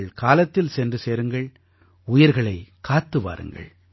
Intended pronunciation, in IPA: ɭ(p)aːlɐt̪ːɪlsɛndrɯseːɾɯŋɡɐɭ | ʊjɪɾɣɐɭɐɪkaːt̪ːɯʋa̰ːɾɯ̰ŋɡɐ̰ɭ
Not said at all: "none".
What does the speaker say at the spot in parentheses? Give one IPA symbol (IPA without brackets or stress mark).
k